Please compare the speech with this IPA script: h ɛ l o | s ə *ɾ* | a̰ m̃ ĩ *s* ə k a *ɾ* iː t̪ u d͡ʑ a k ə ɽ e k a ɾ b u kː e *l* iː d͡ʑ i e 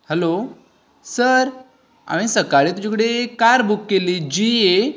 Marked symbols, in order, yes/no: yes, yes, no, yes

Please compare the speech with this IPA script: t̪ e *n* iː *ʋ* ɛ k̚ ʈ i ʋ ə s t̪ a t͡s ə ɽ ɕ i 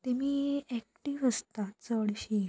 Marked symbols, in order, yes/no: no, no

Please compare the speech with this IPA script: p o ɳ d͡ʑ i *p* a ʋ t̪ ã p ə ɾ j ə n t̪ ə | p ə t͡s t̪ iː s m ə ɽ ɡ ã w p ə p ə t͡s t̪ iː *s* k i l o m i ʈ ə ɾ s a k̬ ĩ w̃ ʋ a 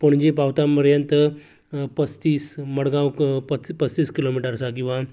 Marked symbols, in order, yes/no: yes, yes

